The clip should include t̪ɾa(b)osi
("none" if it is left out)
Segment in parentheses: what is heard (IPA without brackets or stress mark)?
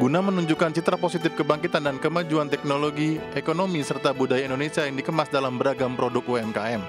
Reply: p